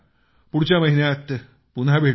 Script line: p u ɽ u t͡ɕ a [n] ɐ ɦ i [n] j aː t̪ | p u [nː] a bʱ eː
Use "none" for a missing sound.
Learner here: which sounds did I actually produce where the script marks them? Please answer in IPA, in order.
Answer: m, n, n

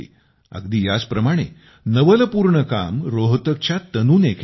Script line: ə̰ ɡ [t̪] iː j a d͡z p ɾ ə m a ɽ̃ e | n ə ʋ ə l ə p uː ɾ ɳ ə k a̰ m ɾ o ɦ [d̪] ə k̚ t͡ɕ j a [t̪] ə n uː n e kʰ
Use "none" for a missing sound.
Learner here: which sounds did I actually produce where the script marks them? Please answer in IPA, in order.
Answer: d̪, t̪, t̪

